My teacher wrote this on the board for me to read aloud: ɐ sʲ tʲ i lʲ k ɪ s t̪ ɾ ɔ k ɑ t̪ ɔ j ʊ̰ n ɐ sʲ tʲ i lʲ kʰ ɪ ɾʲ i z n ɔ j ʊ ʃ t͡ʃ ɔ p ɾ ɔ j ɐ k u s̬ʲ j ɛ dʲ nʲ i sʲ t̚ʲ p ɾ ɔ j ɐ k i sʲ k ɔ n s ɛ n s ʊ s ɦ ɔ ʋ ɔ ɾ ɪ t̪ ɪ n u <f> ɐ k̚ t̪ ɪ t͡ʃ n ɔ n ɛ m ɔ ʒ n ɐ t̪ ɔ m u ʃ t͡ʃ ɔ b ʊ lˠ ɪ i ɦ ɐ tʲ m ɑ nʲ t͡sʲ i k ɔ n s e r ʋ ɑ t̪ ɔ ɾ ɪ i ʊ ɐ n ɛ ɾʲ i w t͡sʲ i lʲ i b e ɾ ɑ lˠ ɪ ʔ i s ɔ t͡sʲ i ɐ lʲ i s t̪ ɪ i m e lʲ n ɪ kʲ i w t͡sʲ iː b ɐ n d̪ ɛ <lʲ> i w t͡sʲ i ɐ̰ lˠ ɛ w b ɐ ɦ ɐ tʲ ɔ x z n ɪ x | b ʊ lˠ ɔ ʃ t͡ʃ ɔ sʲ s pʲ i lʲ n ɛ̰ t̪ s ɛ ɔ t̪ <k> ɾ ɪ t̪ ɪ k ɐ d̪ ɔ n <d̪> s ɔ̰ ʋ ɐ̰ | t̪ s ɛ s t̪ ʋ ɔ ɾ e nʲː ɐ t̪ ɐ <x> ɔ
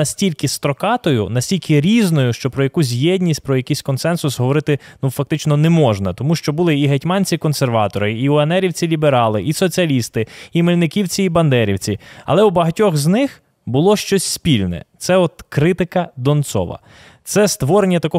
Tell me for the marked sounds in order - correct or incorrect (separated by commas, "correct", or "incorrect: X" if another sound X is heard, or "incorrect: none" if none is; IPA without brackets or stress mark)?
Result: correct, incorrect: ɾʲ, correct, incorrect: t̪, incorrect: k